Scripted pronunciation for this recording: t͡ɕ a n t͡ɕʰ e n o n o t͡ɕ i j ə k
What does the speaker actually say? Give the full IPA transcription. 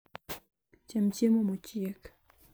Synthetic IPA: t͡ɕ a m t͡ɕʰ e m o m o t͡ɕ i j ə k